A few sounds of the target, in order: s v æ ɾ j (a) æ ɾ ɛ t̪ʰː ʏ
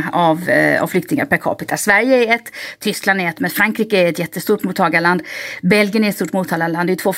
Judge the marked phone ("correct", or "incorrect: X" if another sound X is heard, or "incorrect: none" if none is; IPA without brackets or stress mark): incorrect: ə